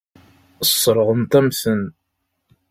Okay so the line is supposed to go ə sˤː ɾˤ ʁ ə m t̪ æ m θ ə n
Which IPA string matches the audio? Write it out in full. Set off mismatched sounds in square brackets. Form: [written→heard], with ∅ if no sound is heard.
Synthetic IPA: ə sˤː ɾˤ ʁ ə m t̪ æ m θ ə n